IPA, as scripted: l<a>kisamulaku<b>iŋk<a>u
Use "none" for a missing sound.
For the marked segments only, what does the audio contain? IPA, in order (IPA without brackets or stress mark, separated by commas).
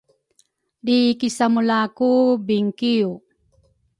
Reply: i, b, i